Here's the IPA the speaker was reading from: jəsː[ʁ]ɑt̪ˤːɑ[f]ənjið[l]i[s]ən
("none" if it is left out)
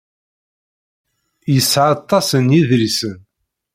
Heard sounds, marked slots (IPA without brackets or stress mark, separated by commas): ʕ, s, ɾ, s